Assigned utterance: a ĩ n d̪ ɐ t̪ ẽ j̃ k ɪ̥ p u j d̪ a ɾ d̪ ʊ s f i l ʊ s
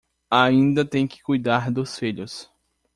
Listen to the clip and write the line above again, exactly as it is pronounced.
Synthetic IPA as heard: a ĩ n d̪ ɐ t̪ ẽ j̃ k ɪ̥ k u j d̪ a ɾ d̪ ʊ s f i ʎ ʊ s